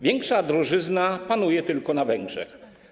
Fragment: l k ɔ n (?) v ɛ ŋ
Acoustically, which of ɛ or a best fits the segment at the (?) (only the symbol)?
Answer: a